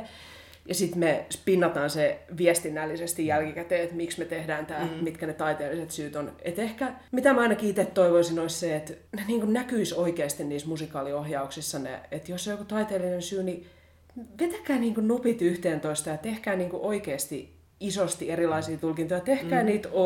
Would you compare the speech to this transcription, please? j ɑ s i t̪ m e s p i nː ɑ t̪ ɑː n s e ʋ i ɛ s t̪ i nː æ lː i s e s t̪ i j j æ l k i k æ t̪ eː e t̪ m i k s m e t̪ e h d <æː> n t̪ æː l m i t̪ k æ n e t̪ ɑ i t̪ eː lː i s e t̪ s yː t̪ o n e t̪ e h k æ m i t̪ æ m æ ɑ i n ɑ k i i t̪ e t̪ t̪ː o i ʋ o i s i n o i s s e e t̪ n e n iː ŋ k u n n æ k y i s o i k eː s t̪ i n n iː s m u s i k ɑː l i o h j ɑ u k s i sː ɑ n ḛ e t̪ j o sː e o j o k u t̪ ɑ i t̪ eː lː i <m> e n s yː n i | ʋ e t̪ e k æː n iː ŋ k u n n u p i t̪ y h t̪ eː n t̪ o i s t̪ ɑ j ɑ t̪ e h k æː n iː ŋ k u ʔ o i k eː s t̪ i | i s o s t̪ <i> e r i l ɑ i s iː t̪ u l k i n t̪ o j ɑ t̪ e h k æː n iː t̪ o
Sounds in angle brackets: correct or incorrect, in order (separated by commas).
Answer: correct, incorrect, correct